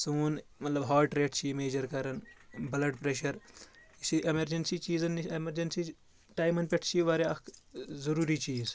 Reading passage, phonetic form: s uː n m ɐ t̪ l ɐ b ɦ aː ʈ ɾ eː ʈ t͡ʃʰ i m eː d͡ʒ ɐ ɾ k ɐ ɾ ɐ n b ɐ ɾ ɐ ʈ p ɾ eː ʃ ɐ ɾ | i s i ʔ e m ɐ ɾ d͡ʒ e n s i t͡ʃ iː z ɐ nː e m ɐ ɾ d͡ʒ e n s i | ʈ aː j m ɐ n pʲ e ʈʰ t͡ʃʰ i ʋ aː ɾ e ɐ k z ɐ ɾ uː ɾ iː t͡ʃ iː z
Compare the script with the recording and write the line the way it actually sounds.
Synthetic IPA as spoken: s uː n m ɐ t̪ l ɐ b ɦ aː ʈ ɾ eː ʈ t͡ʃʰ i m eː d͡ʒ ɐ ɾ k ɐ ɾ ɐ n b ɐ l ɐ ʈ p ɾ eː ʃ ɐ ɾ | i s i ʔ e m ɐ ɾ d͡ʒ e n s i t͡ʃ iː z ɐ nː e m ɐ ɾ d͡ʒ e n s i | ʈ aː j m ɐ n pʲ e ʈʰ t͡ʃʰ i ʋ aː ɾ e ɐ k z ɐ ɾ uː ɾ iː t͡ʃ iː z